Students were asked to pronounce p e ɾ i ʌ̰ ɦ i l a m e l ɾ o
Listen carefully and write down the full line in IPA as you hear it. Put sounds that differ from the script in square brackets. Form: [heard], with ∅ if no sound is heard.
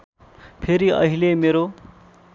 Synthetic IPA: [pʰ] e ɾ i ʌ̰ ɦ i l [e] m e [∅] ɾ o